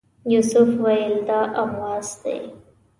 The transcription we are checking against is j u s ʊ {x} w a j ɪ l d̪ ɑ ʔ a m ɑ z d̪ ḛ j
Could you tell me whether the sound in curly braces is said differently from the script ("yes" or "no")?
yes